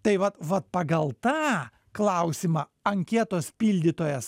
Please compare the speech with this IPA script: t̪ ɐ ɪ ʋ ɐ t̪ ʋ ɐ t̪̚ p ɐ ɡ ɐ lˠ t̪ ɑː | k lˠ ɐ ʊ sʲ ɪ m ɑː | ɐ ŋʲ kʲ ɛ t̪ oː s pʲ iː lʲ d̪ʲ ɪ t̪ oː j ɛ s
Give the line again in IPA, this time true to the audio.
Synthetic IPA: t̪ ɐ ɪ ʋ ɐ t̪ ʋ ɐ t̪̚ p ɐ ɡ ɐ lˠ t̪ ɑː | k lˠ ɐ ʊ sʲ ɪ m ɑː | ɐ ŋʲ kʲ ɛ t̪ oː s pʲ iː lʲ d̪ʲ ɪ t̪ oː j ɛ s